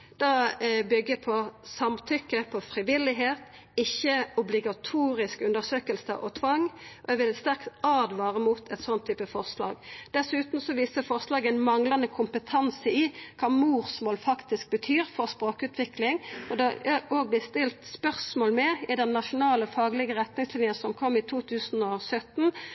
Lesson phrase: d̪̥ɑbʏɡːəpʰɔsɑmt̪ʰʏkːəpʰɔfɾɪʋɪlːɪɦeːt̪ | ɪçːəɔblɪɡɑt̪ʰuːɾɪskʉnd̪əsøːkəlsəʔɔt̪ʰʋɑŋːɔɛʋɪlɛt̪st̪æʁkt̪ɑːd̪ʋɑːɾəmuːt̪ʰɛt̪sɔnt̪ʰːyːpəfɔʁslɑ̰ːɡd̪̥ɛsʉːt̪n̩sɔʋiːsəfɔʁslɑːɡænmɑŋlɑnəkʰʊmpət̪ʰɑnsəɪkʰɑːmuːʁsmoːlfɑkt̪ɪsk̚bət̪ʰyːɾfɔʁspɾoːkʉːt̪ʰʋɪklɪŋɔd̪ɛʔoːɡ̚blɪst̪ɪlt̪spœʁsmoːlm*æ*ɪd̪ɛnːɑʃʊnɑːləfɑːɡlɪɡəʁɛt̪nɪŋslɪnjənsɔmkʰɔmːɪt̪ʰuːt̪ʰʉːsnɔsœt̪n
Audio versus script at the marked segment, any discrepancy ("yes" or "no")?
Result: yes